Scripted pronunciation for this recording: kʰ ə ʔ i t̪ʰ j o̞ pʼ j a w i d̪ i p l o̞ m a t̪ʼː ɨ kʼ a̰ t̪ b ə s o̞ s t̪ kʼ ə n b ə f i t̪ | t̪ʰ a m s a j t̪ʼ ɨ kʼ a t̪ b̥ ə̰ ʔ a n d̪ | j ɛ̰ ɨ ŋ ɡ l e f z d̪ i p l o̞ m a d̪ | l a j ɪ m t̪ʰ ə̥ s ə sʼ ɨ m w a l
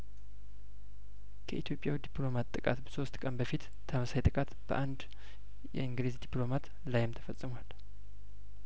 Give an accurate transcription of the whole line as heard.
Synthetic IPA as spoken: kʰ ə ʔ i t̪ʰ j o̞ pʼ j a w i d̪ i p l o̞ m a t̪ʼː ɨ kʼ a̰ t̪ b ə s o̞ s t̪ kʼ ə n b ə f i t̪ | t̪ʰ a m s a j t̪ʼ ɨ kʼ a t̪ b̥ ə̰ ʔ a n d̪ | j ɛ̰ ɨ ŋ ɡ l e z d̪ i p l o̞ m a t̪ | l a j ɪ m t̪ʰ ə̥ f ə sʼ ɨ m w a l